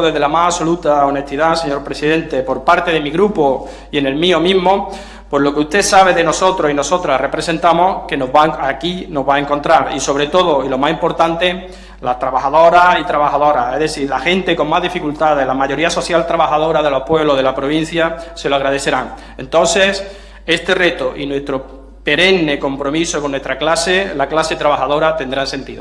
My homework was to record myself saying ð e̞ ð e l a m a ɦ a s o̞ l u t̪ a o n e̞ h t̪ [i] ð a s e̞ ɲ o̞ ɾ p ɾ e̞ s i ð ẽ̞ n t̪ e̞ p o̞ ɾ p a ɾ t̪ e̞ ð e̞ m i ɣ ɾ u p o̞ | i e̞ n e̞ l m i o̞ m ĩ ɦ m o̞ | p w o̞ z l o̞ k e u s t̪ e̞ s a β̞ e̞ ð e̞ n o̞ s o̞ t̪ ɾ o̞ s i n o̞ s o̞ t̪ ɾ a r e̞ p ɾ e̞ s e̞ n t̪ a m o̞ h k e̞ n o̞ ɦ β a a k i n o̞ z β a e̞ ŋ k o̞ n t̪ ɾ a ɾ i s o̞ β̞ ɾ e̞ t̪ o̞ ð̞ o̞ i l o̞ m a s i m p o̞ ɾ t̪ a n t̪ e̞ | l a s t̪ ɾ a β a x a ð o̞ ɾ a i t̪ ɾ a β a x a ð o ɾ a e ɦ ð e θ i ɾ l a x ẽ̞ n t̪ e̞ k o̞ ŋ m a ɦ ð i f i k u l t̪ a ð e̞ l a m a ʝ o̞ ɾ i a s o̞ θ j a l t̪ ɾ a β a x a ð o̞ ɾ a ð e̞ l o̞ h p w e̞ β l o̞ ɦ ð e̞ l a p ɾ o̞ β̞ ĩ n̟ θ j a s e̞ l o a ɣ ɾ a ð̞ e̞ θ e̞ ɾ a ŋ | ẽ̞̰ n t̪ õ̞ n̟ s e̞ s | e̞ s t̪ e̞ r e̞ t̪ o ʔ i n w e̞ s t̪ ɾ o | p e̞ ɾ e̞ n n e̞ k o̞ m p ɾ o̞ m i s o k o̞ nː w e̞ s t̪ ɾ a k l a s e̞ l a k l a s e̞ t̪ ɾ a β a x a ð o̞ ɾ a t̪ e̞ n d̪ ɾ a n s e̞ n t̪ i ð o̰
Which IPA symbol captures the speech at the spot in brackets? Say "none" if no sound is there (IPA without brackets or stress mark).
i